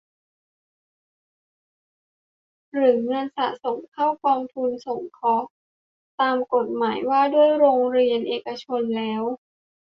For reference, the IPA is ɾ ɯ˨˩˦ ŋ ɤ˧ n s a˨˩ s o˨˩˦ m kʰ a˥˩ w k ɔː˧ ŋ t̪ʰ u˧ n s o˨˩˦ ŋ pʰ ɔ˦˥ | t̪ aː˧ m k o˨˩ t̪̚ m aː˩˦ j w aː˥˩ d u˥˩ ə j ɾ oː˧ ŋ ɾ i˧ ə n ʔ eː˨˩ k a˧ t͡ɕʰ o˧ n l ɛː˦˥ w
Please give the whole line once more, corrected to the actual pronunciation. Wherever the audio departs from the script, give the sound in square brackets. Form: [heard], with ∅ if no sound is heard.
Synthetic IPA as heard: ɾ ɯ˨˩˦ ŋ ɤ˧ n s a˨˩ s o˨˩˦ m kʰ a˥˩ w k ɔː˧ ŋ t̪ʰ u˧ n s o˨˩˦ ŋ [kʰ] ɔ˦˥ | t̪ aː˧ m k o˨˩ t̪̚ m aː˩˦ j w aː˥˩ d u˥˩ ə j ɾ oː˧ ŋ ɾ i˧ ə n ʔ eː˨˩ k a˧ t͡ɕʰ o˧ n l ɛː˦˥ w